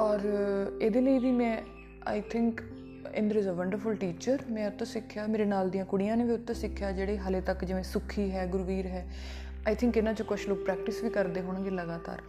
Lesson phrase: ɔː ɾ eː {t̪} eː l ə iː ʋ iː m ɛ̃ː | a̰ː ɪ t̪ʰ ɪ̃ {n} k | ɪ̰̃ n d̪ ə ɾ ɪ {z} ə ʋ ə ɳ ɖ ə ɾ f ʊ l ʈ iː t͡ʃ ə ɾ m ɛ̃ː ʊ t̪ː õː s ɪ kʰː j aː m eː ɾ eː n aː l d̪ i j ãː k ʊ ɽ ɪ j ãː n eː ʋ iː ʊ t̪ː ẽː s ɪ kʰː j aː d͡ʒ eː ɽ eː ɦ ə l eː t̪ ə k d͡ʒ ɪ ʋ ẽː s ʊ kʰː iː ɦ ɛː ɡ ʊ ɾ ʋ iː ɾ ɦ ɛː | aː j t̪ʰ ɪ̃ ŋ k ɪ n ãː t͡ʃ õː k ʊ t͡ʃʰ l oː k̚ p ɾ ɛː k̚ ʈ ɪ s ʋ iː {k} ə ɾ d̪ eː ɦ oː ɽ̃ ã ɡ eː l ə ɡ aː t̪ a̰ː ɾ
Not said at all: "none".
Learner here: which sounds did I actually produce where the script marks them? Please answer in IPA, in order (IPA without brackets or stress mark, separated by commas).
d̪, ŋ, z, k